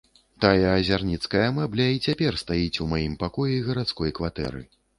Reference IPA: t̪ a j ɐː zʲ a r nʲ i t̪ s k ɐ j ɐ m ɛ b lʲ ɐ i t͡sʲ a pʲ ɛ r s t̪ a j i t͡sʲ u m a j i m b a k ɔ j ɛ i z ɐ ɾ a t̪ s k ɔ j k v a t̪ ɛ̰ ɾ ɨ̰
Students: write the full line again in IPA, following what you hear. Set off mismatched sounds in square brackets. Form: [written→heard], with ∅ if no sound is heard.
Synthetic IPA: t̪ a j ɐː zʲ a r nʲ i t̪ s k ɐ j ɐ m ɛ b lʲ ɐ i t͡sʲ a pʲ ɛ r s t̪ a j i t͡sʲ u m a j i m [b→p] a k ɔ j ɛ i [z→ɣ] ɐ ɾ a t̪ s k ɔ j k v a t̪ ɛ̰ ɾ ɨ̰